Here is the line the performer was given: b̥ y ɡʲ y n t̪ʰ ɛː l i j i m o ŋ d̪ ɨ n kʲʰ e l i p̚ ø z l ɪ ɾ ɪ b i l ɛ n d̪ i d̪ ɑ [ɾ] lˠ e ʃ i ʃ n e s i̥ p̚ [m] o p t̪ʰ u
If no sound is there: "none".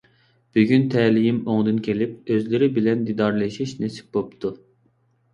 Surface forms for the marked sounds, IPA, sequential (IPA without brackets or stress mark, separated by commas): ɾ, b